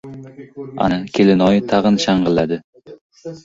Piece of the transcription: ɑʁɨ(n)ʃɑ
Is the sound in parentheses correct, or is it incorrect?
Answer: correct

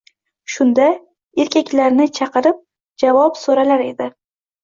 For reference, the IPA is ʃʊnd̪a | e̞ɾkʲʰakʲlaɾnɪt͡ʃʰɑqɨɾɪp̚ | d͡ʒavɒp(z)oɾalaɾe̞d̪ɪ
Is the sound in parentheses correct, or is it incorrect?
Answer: incorrect: s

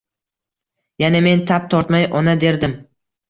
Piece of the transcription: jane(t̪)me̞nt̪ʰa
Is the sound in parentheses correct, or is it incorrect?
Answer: incorrect: none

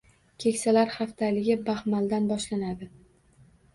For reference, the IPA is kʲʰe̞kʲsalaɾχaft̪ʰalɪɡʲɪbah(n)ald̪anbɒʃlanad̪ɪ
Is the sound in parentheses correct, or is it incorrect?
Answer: incorrect: m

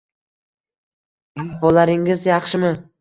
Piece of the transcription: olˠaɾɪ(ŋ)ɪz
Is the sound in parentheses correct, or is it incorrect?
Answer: correct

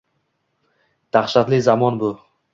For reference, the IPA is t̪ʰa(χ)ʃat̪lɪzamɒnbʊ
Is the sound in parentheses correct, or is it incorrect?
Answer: correct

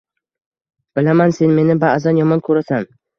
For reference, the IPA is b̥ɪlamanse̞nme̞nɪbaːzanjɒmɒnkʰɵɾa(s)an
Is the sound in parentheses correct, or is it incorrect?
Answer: correct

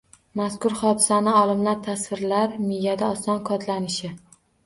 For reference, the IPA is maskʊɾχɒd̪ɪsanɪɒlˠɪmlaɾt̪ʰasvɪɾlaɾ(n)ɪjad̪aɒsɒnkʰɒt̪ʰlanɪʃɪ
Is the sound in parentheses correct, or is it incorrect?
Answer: incorrect: m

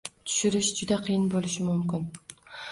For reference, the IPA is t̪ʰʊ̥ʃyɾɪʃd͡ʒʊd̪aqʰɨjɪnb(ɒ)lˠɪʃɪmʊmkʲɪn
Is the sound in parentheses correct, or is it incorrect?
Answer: incorrect: o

